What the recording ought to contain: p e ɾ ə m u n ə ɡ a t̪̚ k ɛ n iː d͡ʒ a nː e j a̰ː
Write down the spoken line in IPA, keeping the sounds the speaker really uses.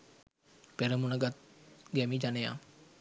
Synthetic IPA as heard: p e ɾ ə m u n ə ɡ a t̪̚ ɡ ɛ m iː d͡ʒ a n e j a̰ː